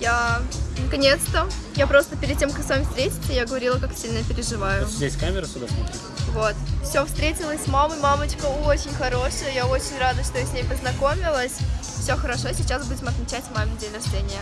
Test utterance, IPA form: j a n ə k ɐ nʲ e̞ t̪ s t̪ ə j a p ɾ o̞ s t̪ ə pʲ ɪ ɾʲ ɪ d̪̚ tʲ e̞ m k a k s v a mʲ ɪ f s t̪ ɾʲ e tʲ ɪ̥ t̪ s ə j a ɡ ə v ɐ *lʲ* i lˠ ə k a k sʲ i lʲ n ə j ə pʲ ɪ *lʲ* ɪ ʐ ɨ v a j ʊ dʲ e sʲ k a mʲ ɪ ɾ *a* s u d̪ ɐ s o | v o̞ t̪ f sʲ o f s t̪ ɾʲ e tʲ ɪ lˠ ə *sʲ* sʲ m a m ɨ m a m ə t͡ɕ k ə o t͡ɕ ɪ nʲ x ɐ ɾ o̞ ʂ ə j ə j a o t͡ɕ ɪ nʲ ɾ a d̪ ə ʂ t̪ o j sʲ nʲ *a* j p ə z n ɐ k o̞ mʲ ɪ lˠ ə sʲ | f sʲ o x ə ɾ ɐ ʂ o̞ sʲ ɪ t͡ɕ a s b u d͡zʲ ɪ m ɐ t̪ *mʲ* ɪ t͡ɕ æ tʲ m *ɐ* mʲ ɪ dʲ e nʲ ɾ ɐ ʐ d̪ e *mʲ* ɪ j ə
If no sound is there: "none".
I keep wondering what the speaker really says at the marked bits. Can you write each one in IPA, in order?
ɾʲ, ɾʲ, ə, sʲ, e, mʲ, a, nʲ

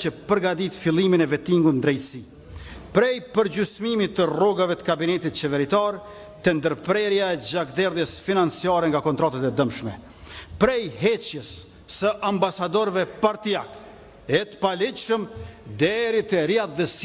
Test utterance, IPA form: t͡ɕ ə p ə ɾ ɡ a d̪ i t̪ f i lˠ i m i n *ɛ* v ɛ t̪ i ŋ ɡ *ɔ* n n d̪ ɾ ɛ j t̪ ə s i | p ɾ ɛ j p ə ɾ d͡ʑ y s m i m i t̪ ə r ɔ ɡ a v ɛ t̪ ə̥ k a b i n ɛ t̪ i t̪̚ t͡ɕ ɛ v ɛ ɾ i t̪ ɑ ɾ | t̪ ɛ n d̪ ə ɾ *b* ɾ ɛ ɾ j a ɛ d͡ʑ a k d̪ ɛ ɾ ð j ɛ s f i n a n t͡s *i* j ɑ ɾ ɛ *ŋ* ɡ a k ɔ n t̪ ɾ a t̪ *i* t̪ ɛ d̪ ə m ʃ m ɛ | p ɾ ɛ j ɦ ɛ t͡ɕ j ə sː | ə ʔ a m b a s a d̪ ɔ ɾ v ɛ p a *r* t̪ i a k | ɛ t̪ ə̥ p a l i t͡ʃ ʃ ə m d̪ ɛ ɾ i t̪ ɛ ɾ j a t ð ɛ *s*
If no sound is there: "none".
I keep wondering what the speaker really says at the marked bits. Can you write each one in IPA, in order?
ɛ, u, p, i, ŋ, a, ɾ, s

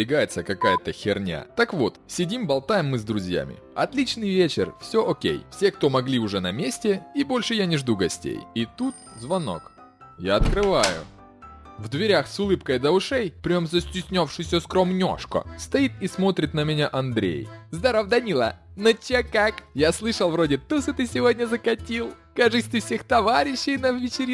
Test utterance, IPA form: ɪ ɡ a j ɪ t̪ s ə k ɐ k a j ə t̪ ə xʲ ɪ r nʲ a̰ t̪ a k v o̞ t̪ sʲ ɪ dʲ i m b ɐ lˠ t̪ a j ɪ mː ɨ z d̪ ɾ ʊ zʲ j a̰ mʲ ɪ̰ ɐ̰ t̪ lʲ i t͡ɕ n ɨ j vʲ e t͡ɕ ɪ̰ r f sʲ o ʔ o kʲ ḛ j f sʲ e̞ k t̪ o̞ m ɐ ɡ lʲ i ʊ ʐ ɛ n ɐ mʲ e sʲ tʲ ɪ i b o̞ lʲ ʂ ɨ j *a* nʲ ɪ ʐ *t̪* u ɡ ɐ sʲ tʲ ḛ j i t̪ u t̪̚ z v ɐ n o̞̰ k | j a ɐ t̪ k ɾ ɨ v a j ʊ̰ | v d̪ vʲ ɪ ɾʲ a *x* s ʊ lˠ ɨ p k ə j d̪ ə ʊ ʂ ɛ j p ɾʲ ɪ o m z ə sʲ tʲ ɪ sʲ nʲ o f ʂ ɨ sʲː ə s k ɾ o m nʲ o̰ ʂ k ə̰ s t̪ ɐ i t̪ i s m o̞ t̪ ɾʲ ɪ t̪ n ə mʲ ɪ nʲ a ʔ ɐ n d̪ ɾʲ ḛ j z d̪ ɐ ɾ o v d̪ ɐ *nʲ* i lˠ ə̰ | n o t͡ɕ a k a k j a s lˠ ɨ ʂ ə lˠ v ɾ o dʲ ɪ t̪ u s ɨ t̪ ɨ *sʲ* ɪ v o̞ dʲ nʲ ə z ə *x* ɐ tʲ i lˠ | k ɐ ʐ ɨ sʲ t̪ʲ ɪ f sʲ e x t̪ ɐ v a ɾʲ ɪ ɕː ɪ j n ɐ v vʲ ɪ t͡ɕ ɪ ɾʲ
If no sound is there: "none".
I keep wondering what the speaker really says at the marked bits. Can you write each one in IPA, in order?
a, d̪, x, nʲ, sʲ, k

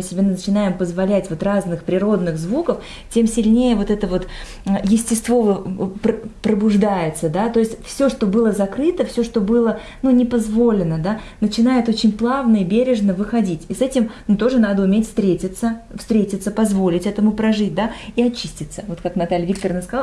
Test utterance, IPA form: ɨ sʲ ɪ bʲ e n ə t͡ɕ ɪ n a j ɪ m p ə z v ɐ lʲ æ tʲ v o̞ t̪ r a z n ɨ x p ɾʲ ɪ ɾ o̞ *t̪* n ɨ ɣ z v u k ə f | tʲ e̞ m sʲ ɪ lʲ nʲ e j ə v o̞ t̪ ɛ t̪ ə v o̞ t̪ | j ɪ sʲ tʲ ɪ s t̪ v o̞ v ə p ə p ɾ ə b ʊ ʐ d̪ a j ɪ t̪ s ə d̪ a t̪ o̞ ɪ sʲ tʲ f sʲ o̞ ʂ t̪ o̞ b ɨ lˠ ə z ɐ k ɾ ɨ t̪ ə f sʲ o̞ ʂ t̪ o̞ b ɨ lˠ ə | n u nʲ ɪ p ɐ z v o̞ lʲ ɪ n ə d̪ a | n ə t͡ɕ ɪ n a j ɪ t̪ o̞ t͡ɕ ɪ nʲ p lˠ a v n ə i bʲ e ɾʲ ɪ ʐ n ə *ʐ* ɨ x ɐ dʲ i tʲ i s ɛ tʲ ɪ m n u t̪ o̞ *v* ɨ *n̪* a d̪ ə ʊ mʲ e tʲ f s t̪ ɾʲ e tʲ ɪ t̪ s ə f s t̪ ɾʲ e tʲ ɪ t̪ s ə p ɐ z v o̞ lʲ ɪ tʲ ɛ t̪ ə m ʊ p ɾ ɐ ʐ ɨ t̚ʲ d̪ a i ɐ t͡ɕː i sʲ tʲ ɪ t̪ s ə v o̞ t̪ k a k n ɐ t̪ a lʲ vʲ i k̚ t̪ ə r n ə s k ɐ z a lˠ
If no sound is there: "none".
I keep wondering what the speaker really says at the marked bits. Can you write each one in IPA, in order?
d̪, v, ʐ, n̪

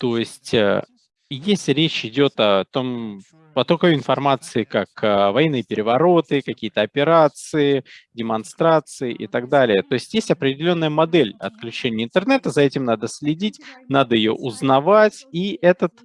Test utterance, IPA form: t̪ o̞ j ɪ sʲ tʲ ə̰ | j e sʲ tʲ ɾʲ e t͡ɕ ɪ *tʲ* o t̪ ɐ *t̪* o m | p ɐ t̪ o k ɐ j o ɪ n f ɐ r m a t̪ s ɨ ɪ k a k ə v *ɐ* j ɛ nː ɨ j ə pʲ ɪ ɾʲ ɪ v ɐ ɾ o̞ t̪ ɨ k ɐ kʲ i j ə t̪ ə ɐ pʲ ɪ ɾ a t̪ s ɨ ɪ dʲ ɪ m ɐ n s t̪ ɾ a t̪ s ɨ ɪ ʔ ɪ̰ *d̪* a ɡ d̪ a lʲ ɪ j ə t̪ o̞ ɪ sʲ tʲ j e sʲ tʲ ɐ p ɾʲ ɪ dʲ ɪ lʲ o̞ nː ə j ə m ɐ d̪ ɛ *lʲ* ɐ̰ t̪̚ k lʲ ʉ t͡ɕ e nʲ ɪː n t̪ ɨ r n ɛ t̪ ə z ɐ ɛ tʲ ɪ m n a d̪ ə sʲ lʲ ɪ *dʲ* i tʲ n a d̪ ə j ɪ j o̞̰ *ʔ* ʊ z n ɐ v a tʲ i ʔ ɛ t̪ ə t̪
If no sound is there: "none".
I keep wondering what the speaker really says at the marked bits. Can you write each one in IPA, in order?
dʲ, t̪, ɐ, t̪, lʲ, dʲ, ʔ

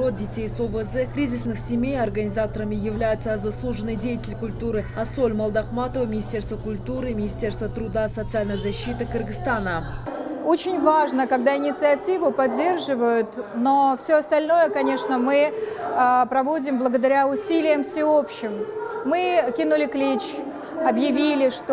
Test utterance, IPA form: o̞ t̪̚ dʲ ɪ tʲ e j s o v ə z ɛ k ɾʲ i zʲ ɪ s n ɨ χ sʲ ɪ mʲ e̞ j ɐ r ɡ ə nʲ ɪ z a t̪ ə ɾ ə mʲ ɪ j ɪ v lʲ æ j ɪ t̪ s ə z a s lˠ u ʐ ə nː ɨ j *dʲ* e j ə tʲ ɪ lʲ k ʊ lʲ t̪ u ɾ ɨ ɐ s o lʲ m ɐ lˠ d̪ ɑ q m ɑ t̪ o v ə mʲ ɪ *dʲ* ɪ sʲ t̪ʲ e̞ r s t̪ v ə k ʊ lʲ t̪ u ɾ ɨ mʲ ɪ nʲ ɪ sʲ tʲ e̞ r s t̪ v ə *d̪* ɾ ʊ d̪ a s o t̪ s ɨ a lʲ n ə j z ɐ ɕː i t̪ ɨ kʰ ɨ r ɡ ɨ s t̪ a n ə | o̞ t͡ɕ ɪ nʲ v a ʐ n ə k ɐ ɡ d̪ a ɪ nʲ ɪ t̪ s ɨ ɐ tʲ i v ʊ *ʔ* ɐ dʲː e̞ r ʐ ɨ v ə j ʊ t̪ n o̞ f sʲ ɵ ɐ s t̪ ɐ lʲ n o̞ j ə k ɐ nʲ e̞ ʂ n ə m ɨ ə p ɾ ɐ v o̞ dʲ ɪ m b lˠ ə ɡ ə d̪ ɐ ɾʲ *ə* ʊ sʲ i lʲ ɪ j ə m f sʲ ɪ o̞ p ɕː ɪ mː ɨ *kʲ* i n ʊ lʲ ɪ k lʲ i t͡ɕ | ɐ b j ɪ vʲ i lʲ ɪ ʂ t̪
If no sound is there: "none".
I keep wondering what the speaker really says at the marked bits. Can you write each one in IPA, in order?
dʲ, nʲ, t̪, p, a, kʲ

